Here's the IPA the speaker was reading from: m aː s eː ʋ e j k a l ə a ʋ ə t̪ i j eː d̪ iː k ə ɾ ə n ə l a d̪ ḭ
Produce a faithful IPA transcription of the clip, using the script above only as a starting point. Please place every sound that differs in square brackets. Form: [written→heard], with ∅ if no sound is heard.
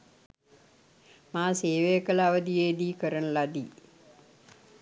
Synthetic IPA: m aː s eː ʋ e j k [a→ə] l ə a ʋ ə [t̪→d̪] i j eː d̪ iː k ə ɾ ə n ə l a d̪ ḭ